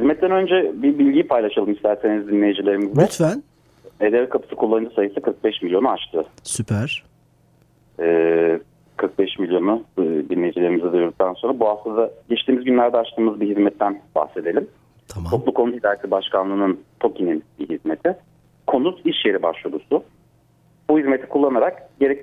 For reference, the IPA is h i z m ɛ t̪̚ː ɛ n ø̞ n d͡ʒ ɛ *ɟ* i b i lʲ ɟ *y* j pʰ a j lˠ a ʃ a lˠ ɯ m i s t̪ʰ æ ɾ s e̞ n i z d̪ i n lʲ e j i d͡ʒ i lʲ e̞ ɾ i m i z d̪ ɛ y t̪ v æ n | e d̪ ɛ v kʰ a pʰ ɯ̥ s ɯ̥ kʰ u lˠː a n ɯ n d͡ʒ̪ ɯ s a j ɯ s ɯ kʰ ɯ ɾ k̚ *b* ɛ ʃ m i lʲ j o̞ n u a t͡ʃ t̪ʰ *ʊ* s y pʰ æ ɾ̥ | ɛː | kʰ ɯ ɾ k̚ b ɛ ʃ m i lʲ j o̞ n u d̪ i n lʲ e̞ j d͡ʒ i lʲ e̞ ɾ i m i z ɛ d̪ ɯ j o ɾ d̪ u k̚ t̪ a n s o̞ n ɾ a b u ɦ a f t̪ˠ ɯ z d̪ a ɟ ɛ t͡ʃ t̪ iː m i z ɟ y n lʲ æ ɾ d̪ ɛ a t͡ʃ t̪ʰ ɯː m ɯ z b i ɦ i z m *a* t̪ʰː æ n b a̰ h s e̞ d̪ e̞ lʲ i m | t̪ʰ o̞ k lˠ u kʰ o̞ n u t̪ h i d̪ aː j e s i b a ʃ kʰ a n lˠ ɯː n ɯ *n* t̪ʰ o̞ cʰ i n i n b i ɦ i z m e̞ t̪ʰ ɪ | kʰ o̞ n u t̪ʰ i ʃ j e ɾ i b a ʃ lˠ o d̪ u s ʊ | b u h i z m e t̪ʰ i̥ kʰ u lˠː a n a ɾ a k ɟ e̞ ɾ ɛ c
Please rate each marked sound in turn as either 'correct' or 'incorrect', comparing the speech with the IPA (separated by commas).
incorrect, incorrect, correct, incorrect, incorrect, correct